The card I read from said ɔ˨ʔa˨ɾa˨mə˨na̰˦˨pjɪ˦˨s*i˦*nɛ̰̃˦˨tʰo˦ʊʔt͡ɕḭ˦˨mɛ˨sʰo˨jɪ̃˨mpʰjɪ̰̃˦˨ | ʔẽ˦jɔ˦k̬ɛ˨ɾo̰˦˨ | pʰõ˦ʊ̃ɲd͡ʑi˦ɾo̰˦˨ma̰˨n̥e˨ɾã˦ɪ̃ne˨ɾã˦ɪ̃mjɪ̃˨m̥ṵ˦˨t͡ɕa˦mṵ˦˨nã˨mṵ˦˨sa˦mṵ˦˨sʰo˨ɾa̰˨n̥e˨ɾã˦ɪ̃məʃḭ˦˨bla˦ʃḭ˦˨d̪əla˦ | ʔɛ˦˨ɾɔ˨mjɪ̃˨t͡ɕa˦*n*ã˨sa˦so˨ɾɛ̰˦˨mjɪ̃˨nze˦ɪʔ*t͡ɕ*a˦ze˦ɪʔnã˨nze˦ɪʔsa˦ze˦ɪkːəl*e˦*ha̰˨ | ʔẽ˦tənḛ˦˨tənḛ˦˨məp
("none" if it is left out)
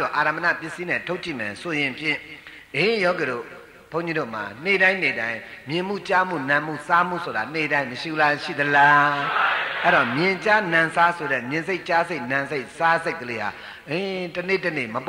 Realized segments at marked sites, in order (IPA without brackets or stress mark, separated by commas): i˦, n, t͡ɕ, e˦